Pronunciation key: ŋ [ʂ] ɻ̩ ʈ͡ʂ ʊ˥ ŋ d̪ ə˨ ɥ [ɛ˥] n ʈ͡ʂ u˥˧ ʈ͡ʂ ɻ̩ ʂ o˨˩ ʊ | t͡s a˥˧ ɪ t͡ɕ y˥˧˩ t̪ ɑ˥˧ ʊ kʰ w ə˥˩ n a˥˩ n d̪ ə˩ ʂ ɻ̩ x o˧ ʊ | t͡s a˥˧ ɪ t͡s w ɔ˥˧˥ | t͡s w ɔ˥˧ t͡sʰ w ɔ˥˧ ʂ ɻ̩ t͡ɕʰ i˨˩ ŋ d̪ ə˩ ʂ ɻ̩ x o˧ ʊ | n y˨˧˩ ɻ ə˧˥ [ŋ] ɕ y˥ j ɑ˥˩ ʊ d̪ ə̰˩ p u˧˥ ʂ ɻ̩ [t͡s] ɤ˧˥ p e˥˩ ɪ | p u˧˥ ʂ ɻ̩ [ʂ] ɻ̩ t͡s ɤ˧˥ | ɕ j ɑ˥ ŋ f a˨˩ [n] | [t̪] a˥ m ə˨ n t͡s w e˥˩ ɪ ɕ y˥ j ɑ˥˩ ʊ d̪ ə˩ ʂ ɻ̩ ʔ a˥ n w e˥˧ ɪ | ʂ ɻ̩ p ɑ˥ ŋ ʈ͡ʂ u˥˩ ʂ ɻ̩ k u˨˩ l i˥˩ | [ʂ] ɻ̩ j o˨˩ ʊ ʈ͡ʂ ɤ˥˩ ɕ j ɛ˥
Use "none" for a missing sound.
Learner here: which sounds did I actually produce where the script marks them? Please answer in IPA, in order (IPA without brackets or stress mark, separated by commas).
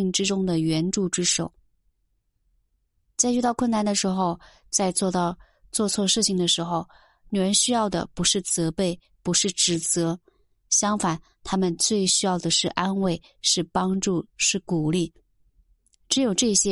ʈ͡ʂ, ɛ˧˥, n, t͡s, ʈ͡ʂ, n, t̪ʰ, ʈ͡ʂ